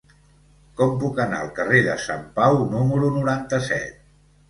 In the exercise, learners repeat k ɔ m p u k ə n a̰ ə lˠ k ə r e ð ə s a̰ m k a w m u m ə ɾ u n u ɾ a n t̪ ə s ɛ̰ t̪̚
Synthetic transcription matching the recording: k ɔ m p u k ə n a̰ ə lˠ k ə r e ð ə s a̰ m p a w n u m ə ɾ u n u ɾ a n t̪ ə s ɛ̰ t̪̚

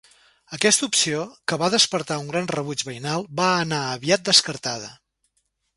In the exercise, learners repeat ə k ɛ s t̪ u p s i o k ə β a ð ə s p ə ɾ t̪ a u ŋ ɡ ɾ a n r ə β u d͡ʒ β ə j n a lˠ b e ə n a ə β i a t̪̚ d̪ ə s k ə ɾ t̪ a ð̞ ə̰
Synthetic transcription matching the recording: ə k ɛ s t̪ u p s i o k ə β a ð ə s p ə ɾ t̪ a u ŋ ɡ ɾ a n r ə β u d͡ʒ β ə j n a lˠ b a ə n a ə β i a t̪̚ d̪ ə s k ə ɾ t̪ a ð̞ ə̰

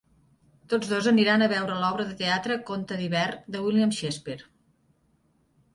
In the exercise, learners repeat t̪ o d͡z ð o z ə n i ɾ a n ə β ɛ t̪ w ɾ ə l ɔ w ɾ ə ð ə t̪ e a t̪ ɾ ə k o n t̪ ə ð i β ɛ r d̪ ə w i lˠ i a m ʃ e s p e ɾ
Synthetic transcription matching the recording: t̪ o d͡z ð o z ə n i ɾ a n ə β ɛ w ɾ ə l ɔ β ɾ ə ð ə t̪ e a t̪ ɾ ə k o n t̪ ə ð i β ɛ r d̪ ə w i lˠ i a m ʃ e s p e ɾ

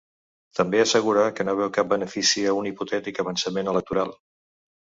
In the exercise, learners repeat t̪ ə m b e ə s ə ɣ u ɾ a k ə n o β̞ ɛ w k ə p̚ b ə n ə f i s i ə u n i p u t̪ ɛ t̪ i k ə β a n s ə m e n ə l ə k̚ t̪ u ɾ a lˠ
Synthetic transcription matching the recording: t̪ ə m b e ə s ə ɣ u ɾ a k ə n o β̞ ɛ w k a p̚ b ə n ə f i s i ə u n i p u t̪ ɛ t̪ i k ə β ə n s ə m e n ə l ə k̚ t̪ u ɾ a lˠ

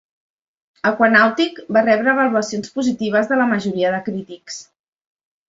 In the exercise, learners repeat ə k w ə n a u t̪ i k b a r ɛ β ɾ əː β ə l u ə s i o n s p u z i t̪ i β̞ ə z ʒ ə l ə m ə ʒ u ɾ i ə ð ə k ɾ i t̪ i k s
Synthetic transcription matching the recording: ə k w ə n a w t̪ i k b a r ɛ β ɾ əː β ə l u ə s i o n s p u z i t̪ i β̞ ə z ð ə l ə m ə ʒ u ɾ i ə ð ə k ɾ i t̪ i k s

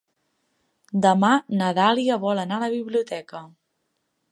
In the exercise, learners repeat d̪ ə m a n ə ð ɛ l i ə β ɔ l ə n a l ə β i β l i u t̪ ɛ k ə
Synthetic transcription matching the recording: d̪ ə m a n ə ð a l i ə β ɔ l ə n a l ə β i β l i u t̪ ɛ k ə

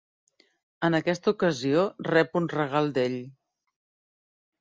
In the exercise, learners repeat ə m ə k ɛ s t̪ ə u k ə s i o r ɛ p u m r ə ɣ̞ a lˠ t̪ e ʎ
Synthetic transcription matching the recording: ə n ə k ɛ s t̪ ə u k ə z i o r ɛ p u n r ə ɣ̞ a lˠ d̪ e ʎ

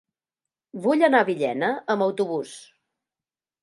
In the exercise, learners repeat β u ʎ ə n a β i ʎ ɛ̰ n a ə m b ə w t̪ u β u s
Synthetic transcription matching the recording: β u ʎ ə n a β i ʎ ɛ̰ n ə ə m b ə w t̪ u β u s

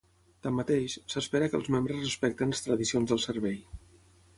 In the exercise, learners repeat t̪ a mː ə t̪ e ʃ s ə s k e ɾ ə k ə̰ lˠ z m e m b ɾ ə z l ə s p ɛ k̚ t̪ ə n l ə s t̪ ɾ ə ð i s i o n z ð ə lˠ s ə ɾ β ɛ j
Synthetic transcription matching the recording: t̪ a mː ə t̪ e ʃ s ə s p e ɾ ə k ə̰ lˠ z m e m b ɾ ə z r ə s p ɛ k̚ t̪ ə n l ə s t̪ ɾ ə ð i s i o n z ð ə lˠ s ə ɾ β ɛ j

